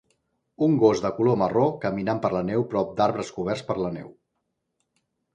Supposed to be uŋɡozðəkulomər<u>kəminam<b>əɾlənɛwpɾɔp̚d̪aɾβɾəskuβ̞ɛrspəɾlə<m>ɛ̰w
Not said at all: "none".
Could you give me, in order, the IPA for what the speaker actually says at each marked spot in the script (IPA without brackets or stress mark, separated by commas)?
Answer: o, p, n